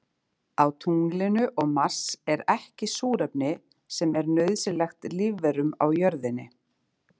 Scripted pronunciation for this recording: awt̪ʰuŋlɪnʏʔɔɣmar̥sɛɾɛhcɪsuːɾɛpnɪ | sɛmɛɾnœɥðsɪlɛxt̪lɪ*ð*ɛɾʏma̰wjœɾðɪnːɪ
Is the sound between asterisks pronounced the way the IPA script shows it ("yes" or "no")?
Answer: no